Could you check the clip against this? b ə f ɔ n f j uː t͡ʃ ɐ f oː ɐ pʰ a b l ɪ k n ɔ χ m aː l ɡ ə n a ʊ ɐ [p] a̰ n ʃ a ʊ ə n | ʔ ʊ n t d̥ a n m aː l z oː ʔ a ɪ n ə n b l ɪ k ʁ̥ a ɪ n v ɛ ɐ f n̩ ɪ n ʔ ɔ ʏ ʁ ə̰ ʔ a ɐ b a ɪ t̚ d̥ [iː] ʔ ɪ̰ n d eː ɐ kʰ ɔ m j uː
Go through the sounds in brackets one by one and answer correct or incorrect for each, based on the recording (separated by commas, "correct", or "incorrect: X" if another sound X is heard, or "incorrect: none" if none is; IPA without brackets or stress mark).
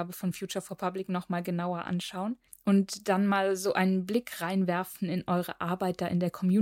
incorrect: ʔ, incorrect: aː